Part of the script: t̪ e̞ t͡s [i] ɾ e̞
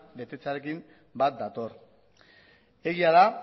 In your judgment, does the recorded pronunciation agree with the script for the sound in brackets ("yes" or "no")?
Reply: no